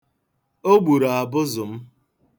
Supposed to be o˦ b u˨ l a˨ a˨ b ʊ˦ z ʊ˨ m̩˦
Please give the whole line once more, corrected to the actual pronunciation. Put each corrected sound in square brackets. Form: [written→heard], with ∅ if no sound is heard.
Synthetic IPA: o˦ [b→ɡ͡b] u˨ [l→ɾ] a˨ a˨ b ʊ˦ z ʊ˨ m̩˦